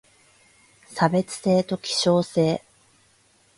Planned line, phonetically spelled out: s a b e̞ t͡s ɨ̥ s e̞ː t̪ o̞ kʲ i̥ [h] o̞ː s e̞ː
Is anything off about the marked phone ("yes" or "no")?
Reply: yes